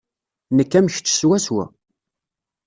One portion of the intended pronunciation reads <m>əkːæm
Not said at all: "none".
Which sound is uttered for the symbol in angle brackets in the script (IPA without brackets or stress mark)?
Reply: n